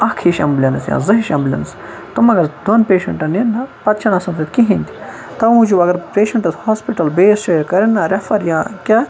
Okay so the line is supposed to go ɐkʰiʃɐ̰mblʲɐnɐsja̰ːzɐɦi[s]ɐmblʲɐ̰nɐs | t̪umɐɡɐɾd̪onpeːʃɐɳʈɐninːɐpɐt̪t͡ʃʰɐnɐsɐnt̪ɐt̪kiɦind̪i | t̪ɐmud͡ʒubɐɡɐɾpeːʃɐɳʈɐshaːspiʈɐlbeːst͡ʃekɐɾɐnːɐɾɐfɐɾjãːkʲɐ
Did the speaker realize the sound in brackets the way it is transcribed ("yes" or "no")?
no